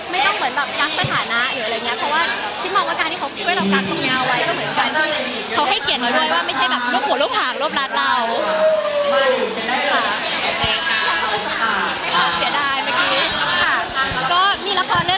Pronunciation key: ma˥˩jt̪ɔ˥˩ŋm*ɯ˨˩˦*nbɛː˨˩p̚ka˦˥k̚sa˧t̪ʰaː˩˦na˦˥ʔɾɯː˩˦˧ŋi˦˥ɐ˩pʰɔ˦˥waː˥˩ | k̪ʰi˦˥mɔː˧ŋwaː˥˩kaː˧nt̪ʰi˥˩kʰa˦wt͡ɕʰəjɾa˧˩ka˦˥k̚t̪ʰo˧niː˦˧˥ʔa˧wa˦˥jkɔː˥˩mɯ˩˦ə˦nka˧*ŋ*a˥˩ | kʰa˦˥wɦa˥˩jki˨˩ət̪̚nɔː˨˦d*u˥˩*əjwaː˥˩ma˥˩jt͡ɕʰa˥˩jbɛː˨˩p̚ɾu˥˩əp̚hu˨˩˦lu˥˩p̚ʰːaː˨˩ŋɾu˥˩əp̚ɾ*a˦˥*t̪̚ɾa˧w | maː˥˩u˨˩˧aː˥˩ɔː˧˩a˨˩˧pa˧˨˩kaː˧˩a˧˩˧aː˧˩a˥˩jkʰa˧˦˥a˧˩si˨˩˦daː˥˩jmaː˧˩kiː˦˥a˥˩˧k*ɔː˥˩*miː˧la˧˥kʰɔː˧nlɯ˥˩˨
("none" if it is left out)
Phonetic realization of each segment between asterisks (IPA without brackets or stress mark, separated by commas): ɯ˨˩˦, n, u˥˩, a˦˥, ɔː˥˩